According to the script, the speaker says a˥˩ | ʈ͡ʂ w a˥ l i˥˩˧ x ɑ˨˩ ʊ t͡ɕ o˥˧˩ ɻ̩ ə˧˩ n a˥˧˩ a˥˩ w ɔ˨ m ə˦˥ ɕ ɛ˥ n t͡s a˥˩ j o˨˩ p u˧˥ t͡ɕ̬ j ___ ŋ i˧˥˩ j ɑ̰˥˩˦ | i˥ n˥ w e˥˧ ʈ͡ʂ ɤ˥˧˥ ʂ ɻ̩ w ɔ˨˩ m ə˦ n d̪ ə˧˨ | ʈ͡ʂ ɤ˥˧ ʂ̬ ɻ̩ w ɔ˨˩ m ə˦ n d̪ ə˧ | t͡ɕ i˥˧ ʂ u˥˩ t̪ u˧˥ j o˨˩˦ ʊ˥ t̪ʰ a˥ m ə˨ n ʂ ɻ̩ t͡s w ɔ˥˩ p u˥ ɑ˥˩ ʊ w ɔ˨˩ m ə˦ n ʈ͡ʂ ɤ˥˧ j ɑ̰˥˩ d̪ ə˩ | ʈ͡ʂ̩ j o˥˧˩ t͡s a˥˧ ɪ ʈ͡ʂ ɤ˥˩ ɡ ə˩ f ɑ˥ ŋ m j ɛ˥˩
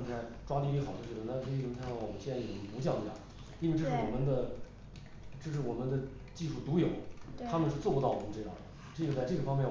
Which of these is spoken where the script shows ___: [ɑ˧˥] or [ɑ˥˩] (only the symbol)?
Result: ɑ˥˩